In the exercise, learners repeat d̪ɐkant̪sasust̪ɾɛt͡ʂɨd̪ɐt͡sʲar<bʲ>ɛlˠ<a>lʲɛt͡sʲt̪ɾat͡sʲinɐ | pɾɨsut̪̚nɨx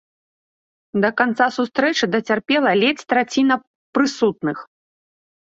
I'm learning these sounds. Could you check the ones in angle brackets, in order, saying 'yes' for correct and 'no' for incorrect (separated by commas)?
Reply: no, no